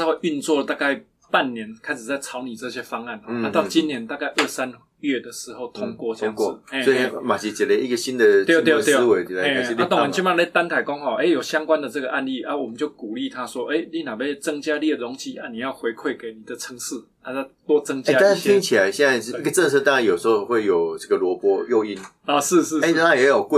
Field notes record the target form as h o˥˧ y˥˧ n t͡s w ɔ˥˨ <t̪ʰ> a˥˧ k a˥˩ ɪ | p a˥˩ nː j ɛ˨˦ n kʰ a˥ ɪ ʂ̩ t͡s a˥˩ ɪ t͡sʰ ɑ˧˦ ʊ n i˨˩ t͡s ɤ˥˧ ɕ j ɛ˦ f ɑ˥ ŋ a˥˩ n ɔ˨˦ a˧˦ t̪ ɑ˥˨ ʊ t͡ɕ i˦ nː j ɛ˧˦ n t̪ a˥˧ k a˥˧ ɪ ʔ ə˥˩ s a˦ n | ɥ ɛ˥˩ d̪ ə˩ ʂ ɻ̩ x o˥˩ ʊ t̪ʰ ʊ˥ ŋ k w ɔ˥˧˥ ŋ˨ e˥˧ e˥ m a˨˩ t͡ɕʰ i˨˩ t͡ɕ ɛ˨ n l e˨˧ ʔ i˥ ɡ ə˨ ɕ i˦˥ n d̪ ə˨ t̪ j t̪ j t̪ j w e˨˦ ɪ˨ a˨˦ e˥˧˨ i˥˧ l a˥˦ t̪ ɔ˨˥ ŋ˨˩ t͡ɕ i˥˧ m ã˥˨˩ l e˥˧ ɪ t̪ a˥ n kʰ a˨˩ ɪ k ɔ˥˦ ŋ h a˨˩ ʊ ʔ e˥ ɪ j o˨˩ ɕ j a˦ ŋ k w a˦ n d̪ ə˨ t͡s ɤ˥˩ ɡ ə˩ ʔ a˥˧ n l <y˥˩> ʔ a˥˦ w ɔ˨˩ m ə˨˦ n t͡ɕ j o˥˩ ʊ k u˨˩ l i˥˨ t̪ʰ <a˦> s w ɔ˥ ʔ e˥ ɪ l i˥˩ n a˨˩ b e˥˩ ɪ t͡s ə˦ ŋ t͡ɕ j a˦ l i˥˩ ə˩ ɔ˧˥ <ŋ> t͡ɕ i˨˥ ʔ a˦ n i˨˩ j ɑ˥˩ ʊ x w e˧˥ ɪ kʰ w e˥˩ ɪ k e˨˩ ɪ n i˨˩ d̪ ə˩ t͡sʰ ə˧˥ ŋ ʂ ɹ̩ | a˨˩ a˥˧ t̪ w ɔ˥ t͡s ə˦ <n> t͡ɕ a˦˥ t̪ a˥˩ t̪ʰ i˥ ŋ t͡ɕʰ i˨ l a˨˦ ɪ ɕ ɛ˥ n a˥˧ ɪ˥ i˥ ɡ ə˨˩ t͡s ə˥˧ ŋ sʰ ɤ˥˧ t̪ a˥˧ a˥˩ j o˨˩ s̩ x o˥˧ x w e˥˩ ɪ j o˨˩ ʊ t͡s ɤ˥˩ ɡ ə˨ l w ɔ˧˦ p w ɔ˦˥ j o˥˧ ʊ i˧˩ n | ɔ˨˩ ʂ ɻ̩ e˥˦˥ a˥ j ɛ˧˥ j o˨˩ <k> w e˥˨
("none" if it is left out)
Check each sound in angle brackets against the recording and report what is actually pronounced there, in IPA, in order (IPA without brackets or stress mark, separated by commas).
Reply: t̪, i˥˩, a˦, ŋ, ŋ, k